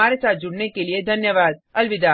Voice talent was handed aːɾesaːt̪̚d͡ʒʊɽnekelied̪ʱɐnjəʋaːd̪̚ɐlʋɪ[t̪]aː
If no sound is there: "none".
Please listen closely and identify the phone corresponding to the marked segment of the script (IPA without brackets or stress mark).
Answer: d̪